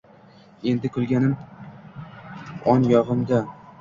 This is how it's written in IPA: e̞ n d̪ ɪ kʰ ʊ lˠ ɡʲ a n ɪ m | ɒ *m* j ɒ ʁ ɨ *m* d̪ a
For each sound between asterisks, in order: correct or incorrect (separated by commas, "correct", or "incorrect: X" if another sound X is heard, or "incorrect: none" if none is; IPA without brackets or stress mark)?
incorrect: n, correct